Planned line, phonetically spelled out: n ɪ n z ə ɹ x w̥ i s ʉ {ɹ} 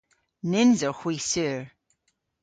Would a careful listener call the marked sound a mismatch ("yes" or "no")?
no